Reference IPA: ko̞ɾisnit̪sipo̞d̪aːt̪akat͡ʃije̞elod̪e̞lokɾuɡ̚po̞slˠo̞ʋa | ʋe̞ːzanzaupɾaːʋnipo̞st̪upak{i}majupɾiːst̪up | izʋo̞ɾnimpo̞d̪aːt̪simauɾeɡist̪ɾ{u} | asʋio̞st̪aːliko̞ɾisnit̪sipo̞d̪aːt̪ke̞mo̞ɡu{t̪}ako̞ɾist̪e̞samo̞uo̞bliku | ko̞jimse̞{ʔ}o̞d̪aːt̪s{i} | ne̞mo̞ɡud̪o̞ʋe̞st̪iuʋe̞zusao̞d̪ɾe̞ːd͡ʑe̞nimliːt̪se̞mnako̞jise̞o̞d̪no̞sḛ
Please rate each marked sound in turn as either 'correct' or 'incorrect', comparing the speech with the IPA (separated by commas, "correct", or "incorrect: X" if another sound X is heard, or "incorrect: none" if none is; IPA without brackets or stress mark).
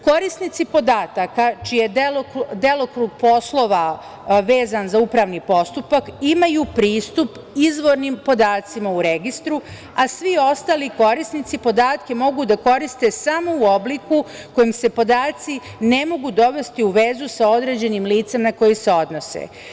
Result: correct, correct, incorrect: d̪, incorrect: p, correct